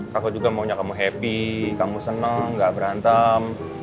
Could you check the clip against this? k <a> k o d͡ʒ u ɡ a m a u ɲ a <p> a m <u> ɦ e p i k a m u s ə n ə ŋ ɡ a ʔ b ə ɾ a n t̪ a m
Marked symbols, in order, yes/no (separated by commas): yes, no, yes